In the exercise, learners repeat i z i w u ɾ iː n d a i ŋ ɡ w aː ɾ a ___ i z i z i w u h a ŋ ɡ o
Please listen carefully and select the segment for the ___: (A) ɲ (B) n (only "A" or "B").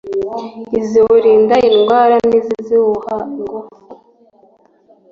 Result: B